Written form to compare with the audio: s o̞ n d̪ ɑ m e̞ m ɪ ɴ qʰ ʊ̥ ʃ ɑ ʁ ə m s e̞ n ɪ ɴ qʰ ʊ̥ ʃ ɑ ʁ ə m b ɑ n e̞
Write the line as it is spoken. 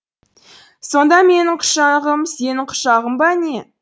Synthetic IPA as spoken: s o̞ n d̪ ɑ m e̞ n ɪ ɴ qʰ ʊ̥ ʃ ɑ ʁ ə m s e̞ n ɪ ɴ qʰ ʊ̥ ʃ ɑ ʁ ə m b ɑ n e̞